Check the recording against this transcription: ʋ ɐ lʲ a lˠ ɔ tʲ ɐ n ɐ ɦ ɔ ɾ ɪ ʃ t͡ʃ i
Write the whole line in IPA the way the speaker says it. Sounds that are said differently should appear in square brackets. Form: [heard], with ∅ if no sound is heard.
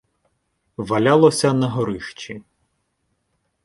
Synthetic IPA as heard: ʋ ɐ lʲ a lˠ ɔ [sʲ] ɐ n ɐ ɦ ɔ ɾ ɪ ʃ t͡ʃ i